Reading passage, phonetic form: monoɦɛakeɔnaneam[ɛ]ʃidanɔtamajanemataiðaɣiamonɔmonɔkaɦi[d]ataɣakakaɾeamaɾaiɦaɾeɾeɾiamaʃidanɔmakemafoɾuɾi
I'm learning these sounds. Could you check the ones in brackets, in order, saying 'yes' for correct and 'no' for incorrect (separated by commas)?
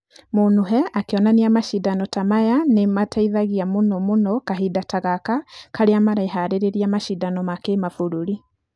no, yes